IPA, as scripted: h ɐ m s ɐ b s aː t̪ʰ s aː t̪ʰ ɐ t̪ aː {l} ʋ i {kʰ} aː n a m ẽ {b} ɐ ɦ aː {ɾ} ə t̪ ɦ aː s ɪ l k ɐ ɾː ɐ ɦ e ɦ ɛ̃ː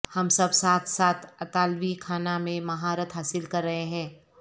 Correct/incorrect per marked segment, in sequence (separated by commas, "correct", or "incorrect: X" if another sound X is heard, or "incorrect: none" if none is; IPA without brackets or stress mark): correct, correct, incorrect: m, correct